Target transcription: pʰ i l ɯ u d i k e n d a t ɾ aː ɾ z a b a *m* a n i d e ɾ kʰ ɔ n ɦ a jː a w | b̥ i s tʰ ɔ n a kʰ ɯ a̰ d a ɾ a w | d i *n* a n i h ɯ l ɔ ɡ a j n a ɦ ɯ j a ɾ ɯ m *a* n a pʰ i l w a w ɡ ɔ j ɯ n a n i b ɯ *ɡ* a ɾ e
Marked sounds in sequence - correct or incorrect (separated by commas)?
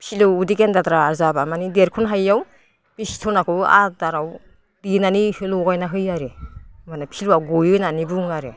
correct, correct, correct, incorrect